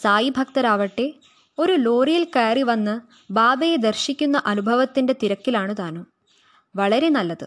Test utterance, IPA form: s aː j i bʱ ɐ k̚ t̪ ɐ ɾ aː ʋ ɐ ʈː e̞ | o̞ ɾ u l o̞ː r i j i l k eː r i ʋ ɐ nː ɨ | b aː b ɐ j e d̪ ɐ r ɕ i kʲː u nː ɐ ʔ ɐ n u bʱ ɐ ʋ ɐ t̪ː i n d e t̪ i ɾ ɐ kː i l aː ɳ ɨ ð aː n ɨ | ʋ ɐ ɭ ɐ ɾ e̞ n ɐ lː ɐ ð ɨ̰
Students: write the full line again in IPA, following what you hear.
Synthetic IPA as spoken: s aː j i bʱ ɐ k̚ t̪ ɐ ɾ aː ʋ ɐ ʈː e̞ | o̞ ɾ u l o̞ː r i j i l k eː r i ʋ ɐ nː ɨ | b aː b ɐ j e d̪ ɐ r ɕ i kʲː u nː ɐ ʔ ɐ n u bʱ ɐ ʋ ɐ t̪ː i n d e t̪ i ɾ ɐ kː i l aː ɳ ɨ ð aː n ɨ | ʋ ɐ ɭ ɐ ɾ e̞ n ɐ lː ɐ ð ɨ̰